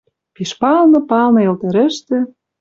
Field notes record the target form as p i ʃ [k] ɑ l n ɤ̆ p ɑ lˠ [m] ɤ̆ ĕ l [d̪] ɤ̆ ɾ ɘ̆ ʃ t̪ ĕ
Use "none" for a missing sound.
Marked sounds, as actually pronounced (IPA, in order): p, n, t̪

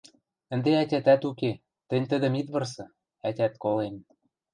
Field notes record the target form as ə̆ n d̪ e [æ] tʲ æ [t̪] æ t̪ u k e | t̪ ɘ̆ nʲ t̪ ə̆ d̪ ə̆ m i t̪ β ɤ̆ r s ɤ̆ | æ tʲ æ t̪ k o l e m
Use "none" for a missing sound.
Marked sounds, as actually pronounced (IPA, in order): æ, t̪

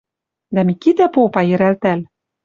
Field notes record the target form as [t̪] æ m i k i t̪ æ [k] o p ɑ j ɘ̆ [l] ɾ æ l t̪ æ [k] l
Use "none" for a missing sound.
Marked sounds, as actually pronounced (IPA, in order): d̪, p, none, none

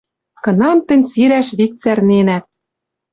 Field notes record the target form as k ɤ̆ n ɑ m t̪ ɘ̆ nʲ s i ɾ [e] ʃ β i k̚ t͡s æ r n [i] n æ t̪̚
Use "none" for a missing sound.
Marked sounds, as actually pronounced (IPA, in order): æ, e

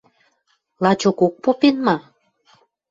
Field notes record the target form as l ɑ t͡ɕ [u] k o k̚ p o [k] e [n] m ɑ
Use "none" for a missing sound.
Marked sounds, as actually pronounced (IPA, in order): o, p, n

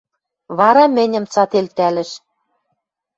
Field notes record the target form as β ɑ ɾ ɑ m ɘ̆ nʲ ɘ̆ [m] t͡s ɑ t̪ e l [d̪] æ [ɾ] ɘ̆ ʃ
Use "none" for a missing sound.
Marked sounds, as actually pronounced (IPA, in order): m, t̪, l

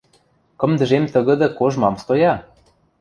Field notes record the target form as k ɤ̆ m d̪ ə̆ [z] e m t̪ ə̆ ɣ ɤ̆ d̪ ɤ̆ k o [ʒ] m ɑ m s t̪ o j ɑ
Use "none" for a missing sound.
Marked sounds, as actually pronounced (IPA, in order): ʒ, ʒ

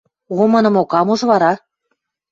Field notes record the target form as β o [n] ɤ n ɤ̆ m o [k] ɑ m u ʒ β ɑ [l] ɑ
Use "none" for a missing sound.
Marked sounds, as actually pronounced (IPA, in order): m, k, ɾ

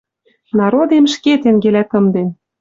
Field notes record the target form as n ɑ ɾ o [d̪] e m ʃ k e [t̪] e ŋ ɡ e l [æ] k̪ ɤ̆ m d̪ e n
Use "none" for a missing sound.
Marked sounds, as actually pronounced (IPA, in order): d̪, t̪, æ

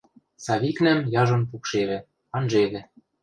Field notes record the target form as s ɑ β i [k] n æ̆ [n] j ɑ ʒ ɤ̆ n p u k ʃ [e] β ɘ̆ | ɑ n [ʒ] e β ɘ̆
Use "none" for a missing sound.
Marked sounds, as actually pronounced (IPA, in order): k, m, e, ʒ

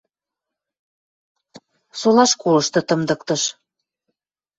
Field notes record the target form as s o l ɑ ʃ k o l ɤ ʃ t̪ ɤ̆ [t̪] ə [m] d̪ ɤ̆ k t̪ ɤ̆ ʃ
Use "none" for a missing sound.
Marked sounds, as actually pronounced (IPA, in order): t̪, m

